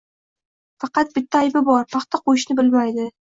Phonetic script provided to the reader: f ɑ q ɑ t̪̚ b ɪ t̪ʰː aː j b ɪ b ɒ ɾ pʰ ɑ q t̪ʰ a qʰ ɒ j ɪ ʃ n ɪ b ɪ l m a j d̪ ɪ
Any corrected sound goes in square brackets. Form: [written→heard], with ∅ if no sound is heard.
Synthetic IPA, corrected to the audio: f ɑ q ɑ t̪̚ b ɪ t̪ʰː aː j b ɪ b ɒ ɾ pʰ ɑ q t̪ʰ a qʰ [ɒ→o] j ɪ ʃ n ɪ b ɪ l m a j d̪ ɪ